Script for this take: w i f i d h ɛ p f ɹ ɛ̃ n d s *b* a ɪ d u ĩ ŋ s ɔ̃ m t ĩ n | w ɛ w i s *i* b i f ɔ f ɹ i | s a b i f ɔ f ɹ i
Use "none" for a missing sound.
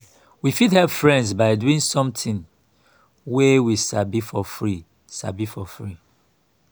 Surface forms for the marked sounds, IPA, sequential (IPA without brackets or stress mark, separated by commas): b, a